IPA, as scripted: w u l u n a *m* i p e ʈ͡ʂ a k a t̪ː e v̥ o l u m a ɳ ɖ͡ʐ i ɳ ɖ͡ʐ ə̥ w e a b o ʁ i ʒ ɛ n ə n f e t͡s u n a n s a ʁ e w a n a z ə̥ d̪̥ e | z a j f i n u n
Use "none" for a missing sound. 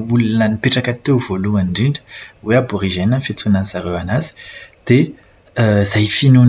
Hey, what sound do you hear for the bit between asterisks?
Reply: n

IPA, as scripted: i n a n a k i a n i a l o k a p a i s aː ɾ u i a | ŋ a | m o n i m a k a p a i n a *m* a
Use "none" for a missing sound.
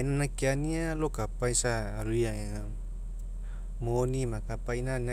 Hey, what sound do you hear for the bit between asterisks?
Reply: n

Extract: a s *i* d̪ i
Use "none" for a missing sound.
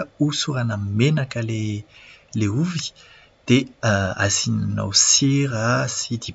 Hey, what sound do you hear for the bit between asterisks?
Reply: i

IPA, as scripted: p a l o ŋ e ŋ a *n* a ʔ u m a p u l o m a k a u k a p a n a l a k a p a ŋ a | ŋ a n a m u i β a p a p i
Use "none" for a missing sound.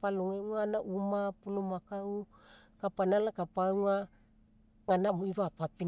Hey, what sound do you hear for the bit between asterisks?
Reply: n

